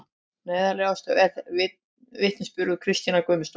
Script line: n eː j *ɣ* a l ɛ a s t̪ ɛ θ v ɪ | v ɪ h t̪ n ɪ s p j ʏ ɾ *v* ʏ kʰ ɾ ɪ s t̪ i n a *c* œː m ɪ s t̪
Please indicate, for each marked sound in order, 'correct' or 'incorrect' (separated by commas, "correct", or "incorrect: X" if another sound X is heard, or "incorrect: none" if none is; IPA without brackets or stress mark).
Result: incorrect: ð, incorrect: ð, incorrect: k